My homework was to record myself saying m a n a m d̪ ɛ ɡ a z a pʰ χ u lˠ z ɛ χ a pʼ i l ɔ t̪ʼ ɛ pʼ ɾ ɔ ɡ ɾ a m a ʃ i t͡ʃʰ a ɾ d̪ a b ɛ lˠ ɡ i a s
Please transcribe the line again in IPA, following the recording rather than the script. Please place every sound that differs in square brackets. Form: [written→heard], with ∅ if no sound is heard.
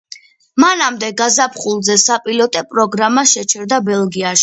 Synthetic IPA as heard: m a n a m d̪ ɛ ɡ a z a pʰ χ u lˠ z ɛ [χ→s] a pʼ i l ɔ t̪ʼ ɛ pʼ ɾ ɔ ɡ ɾ a m a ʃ [i→ɛ] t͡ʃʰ [a→ɛ] ɾ d̪ a b ɛ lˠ ɡ i a [s→ʃ]